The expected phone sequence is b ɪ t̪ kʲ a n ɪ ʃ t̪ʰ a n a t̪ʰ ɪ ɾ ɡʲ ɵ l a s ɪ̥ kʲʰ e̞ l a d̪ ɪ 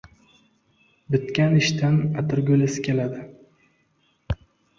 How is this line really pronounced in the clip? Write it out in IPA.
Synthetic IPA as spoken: b ɪ t̪ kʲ a n ɪ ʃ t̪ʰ a n a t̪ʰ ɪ ɾ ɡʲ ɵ l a s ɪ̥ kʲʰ e̞ l a d̪ ɪ